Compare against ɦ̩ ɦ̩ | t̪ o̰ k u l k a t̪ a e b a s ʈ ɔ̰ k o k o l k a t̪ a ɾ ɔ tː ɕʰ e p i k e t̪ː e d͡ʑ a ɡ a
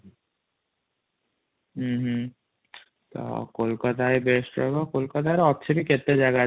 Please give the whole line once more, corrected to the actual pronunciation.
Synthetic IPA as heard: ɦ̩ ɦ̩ | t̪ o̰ k o l k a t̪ a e b e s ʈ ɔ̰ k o k o l k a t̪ a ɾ ɔ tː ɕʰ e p i k e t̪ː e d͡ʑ a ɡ a